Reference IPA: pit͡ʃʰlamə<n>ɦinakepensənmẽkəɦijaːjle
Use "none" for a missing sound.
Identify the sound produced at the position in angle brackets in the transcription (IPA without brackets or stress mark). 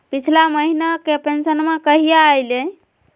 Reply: none